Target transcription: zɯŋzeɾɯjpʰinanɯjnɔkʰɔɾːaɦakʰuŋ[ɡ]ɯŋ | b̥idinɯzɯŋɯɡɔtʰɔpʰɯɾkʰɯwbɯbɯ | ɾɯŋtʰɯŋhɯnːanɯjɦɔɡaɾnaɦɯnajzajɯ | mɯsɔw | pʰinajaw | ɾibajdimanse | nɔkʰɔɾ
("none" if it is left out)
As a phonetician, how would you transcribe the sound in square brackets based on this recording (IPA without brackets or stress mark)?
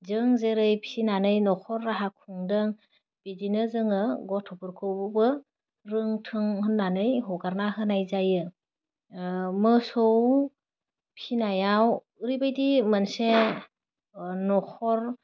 d